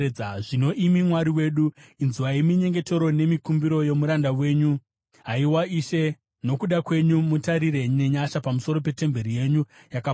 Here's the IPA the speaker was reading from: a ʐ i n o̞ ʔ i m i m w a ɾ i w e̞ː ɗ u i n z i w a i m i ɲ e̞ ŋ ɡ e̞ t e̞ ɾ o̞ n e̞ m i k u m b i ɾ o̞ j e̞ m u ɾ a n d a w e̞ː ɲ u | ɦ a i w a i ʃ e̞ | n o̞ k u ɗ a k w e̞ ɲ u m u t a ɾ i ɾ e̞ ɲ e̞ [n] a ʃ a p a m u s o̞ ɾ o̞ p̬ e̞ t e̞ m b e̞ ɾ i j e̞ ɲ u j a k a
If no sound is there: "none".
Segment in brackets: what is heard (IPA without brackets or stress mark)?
ɲ